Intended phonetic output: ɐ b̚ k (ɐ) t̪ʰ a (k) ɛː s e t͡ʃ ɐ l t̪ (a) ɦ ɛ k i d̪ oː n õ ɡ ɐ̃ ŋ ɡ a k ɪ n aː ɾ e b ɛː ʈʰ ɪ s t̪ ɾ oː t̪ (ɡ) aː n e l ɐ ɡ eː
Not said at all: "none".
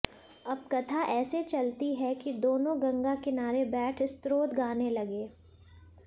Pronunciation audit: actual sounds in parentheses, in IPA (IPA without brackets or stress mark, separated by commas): ɐ, ʔ, i, ɡ